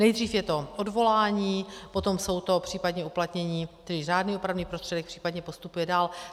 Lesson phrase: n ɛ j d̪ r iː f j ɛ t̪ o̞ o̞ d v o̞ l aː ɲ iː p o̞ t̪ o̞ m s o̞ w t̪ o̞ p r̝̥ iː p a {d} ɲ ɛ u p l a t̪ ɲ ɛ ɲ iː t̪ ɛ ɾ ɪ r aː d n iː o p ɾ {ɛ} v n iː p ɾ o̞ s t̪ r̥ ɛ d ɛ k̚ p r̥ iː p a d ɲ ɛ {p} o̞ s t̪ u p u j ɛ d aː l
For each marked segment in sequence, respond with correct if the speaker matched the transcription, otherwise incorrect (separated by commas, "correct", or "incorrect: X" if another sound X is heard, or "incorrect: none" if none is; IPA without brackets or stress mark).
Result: correct, incorrect: a, correct